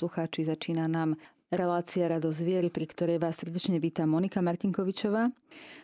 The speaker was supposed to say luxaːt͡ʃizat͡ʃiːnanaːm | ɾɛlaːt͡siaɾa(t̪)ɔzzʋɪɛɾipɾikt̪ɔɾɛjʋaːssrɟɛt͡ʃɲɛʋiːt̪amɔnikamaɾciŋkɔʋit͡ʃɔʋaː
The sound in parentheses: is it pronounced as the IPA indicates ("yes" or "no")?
no